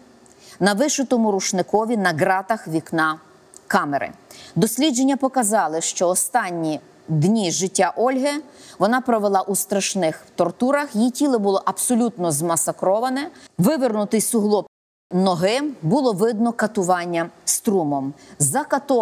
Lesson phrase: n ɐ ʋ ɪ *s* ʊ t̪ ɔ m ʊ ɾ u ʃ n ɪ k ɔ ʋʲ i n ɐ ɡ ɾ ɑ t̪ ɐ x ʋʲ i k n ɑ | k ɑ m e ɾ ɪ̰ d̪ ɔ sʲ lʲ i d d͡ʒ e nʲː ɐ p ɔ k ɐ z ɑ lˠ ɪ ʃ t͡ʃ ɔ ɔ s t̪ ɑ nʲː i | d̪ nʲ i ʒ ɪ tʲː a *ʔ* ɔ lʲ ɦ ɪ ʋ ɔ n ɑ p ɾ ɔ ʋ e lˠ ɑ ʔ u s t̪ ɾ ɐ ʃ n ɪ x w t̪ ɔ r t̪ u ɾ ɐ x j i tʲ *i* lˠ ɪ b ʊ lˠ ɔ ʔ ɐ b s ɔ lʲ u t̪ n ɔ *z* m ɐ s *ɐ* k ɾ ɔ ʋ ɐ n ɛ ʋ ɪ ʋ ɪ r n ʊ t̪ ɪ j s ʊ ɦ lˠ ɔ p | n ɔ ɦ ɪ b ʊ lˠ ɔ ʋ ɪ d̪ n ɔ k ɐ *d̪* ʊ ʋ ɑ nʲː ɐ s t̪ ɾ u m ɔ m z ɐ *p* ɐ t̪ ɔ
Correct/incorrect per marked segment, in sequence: incorrect: ʃ, correct, correct, correct, correct, incorrect: t̪, incorrect: k

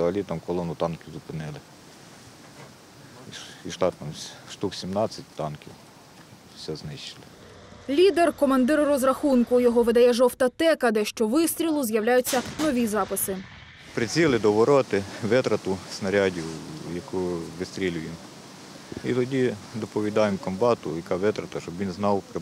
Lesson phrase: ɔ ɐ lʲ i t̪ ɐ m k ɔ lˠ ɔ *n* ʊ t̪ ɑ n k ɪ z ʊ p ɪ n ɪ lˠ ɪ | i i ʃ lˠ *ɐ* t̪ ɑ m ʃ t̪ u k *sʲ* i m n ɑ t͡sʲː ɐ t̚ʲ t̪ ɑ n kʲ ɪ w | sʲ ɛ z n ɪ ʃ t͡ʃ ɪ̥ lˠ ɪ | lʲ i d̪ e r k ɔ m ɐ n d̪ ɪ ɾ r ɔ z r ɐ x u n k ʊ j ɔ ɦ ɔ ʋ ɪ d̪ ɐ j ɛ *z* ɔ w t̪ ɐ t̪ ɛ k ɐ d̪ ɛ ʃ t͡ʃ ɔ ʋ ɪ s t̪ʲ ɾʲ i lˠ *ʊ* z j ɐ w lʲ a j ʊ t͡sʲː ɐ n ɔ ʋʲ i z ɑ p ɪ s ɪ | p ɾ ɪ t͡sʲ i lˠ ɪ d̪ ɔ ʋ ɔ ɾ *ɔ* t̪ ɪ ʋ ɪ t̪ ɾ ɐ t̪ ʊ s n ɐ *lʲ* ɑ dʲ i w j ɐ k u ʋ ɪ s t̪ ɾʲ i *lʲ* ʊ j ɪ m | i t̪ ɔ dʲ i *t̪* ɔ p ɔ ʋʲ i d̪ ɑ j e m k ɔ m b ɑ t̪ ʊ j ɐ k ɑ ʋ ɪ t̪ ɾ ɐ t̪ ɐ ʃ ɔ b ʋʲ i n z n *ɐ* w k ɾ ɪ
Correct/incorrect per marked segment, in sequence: correct, incorrect: ɑ, correct, incorrect: ʒ, correct, correct, incorrect: ɾʲ, correct, incorrect: d̪, incorrect: ɑ

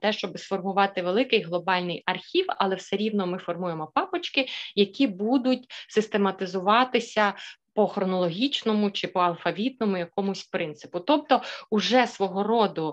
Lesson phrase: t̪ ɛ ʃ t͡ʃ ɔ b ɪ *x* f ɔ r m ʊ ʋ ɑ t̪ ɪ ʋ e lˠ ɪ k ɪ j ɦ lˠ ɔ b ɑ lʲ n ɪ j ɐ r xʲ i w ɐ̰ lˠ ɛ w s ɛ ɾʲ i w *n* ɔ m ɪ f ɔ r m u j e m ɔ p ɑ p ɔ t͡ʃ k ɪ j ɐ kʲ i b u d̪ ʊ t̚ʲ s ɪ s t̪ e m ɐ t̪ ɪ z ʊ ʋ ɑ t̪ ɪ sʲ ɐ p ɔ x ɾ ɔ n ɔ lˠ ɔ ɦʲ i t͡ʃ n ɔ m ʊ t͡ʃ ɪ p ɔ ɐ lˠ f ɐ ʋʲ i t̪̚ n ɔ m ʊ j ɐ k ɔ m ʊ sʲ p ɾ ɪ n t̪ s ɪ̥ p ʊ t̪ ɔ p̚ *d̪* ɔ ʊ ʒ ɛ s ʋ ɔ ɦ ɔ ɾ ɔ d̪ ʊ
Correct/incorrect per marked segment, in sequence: incorrect: s, correct, incorrect: t̪

